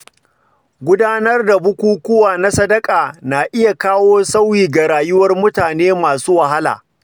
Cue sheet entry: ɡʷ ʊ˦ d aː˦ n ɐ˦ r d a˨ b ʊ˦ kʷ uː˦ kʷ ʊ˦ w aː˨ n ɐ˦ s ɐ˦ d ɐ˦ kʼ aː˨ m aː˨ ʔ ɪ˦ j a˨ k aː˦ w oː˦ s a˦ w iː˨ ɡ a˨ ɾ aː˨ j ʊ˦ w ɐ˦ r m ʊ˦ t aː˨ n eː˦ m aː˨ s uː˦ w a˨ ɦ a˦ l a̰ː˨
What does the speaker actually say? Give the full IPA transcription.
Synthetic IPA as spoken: ɡʷ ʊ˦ d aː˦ n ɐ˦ r d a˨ b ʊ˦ kʷ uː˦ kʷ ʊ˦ w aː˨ n a˦ s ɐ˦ d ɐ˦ kʼ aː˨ n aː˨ ʔ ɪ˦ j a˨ k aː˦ w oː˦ s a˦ w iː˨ ɡ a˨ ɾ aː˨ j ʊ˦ w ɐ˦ r m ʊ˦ t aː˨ n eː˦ m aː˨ s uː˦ w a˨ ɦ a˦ l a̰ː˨